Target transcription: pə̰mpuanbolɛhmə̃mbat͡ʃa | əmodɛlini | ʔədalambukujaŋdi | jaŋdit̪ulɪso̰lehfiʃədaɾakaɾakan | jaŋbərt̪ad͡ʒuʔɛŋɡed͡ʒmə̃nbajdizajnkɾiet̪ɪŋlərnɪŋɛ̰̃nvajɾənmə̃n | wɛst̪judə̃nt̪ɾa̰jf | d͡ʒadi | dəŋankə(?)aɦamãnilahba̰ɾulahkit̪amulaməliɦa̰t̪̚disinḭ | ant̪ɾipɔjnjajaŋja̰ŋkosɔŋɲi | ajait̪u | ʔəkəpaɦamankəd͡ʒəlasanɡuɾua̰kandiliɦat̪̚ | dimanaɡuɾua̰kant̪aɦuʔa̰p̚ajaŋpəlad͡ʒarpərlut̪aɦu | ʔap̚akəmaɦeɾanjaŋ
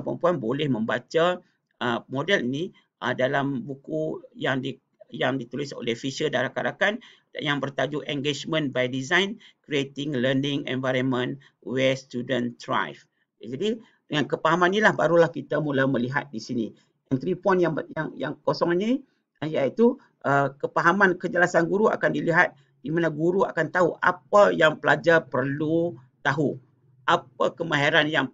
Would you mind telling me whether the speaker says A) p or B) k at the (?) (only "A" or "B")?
A